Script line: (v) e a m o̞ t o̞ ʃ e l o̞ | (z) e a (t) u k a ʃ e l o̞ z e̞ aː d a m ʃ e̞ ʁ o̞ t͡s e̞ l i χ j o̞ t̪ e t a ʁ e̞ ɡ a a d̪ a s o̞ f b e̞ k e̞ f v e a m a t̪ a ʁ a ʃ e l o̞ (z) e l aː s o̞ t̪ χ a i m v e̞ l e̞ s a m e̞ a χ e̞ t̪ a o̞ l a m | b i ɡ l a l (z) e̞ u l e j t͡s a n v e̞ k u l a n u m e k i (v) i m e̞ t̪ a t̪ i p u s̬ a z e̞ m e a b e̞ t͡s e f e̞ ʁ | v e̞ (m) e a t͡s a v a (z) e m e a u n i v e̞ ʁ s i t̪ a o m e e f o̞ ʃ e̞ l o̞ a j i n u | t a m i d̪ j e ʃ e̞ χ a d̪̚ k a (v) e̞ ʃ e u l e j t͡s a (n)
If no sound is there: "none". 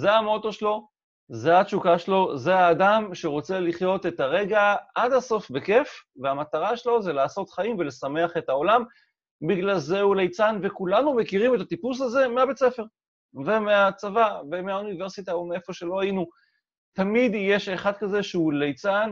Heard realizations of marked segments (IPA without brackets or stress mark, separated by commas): z, z, t͡ʃ, z, z, ʁ, m, v, z, n